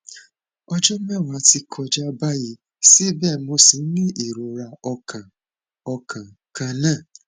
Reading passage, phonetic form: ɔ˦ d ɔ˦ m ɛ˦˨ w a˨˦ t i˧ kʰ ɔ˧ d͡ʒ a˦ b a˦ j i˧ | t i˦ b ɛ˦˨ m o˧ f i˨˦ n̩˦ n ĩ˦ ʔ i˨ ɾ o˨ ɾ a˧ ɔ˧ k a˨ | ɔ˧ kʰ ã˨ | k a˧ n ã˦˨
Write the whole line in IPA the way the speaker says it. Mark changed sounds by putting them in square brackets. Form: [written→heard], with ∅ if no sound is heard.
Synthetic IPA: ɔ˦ [d→d͡ʒ] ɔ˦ m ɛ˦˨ w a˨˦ t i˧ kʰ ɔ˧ d͡ʒ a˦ b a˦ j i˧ | [t→s] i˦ b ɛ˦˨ m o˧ [f→s] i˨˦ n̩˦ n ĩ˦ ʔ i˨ ɾ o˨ ɾ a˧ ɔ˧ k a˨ | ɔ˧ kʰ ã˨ | k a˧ n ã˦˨